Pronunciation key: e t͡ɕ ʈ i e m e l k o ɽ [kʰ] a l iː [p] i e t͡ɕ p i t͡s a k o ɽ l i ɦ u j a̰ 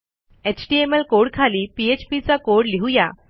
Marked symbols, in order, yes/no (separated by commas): yes, yes